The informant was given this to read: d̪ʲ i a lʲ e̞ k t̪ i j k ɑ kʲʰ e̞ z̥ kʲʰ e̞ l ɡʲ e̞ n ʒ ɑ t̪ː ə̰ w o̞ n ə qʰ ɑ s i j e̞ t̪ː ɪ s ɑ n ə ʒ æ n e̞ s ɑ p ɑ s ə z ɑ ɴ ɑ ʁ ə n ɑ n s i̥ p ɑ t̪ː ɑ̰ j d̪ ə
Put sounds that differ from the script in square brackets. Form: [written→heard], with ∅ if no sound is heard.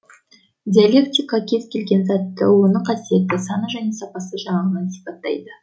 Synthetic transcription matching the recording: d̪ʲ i a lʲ e̞ k t̪ i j k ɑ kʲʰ e̞ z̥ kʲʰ e̞ l ɡʲ e̞ n [ʒ→z] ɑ t̪ː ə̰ w o̞ n ə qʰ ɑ s i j e̞ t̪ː ɪ s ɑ n ə ʒ æ n e̞ s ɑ p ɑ s ə [z→ʒ] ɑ ɴ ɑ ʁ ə n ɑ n s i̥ p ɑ t̪ː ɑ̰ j d̪ ə